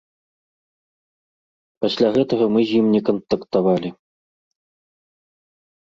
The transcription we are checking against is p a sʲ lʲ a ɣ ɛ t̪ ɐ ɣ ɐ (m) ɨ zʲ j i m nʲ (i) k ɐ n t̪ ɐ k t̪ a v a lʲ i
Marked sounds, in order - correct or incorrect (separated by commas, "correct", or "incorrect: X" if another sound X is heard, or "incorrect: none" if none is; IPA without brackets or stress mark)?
correct, incorrect: ɛ